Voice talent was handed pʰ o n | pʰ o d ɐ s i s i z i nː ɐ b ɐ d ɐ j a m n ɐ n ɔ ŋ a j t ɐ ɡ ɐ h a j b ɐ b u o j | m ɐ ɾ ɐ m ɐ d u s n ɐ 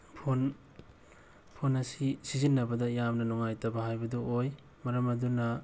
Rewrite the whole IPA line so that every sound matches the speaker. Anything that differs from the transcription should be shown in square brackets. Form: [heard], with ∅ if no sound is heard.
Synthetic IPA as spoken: pʰ o n | pʰ o [n] ɐ s i s i z i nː ɐ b ɐ d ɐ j a m n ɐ n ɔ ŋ a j t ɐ [b] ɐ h a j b ɐ [d] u o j | m ɐ ɾ ɐ m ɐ d u [∅] n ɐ